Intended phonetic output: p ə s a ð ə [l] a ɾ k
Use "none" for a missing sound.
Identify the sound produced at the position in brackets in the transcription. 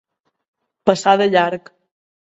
ʎ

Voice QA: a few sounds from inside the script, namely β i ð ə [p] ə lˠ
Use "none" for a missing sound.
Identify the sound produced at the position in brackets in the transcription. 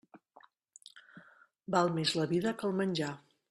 k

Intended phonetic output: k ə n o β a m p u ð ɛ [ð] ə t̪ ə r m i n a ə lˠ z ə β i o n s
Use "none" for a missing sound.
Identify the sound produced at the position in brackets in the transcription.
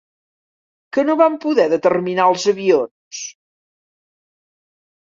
ð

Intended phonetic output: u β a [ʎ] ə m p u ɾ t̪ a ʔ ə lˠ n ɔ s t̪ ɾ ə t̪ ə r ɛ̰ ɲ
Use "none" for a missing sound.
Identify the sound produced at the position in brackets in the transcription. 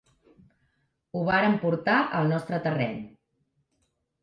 ɾ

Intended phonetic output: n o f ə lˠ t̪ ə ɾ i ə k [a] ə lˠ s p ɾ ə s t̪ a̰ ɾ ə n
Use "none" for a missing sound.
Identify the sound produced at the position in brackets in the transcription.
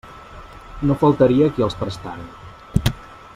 i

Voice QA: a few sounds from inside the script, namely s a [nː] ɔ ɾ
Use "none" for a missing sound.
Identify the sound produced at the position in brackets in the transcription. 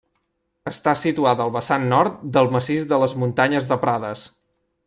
nː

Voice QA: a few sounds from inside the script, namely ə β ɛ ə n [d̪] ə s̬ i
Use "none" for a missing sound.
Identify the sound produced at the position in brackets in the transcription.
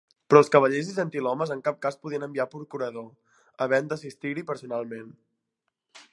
d̪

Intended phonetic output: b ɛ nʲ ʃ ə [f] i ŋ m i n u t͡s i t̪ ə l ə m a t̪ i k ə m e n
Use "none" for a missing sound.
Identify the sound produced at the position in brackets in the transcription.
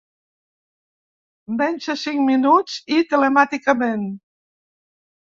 s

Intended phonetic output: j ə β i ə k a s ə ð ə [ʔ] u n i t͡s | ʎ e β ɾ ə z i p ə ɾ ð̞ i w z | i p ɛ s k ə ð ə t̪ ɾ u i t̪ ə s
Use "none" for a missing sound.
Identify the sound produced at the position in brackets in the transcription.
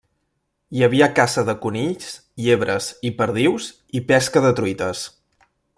k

